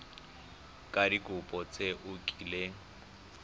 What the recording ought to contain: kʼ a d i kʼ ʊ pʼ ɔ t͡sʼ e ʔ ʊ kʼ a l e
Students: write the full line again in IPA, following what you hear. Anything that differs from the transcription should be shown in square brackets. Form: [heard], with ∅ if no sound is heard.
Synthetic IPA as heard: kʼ a d i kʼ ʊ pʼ ɔ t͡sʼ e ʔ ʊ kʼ [i] l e